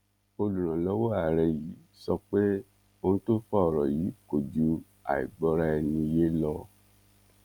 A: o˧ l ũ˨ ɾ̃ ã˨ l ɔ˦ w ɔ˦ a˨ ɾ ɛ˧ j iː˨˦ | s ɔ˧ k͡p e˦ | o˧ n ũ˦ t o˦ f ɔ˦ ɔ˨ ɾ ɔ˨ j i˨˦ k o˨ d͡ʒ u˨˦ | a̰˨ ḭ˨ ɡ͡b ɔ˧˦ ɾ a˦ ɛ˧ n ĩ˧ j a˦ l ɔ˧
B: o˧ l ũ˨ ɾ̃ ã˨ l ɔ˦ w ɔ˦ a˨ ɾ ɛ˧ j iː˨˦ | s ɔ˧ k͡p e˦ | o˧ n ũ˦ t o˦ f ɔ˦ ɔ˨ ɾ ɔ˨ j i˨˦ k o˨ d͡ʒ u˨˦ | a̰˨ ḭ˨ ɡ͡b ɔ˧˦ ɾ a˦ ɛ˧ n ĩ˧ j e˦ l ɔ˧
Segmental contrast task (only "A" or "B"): B